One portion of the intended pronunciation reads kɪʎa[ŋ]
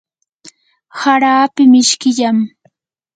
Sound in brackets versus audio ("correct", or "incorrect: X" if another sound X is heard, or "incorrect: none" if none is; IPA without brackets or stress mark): incorrect: m